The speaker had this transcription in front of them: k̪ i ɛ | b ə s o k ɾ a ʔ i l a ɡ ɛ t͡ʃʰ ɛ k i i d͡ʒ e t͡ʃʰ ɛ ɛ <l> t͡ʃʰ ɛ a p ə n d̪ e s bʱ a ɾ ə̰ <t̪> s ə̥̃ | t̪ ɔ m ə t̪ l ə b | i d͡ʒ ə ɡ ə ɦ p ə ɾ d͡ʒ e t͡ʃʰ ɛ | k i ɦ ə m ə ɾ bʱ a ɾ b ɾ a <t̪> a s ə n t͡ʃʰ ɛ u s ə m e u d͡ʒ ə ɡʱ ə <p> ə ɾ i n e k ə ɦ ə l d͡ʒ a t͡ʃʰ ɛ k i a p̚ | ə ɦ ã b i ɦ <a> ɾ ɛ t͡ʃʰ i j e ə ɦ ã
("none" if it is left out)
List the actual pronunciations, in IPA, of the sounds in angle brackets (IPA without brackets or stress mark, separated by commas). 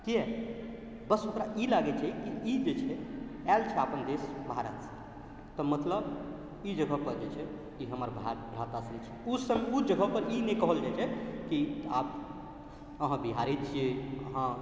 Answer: l, t̪, t̪, p, a